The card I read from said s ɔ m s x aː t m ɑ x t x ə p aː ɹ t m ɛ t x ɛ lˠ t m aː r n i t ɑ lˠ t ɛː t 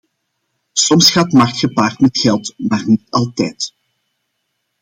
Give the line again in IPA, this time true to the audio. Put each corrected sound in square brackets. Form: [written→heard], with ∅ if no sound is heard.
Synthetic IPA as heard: s ɔ m s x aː t m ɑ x t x ə p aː [ɹ→r] t m ɛ t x ɛ lˠ t m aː r n i t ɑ lˠ t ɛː t